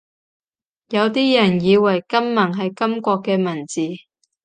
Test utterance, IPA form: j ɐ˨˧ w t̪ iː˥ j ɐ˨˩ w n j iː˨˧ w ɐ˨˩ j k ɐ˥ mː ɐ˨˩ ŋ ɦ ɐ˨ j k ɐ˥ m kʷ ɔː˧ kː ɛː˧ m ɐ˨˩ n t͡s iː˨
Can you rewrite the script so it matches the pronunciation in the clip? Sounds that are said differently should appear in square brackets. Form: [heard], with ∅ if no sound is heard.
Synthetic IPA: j ɐ˨˧ w t̪ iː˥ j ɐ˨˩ [∅] n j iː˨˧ w ɐ˨˩ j k ɐ˥ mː ɐ˨˩ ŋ ɦ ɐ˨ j k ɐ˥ m kʷ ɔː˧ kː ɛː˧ m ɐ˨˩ n t͡s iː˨